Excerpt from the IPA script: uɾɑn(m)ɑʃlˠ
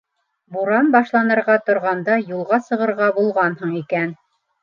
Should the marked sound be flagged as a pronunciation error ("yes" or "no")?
yes